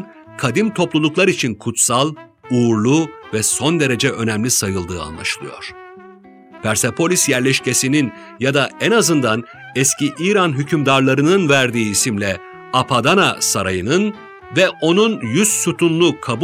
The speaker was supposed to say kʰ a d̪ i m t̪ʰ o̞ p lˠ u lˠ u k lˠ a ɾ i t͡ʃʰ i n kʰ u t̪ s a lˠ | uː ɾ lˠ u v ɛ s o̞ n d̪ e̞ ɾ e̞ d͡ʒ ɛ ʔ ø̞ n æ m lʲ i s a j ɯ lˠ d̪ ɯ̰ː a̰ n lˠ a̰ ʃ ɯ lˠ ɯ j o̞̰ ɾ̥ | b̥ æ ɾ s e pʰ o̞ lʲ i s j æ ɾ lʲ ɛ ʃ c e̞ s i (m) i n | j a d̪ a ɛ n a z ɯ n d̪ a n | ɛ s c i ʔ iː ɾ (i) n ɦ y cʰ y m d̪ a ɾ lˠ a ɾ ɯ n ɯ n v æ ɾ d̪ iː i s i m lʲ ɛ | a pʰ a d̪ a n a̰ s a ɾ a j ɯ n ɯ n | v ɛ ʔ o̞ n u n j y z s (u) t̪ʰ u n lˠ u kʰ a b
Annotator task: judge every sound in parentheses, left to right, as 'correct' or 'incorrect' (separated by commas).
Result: incorrect, incorrect, correct